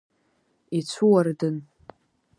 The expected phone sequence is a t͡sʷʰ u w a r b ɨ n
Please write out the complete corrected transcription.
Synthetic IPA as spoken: i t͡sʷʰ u w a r d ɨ n